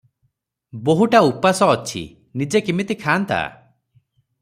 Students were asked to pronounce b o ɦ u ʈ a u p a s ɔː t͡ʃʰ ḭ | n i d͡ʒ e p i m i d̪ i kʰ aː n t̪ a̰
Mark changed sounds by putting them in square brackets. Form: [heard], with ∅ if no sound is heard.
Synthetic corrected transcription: b o ɦ u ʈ a u p a s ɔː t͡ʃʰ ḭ | n i d͡ʒ e [k] i m i [t̪] i kʰ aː n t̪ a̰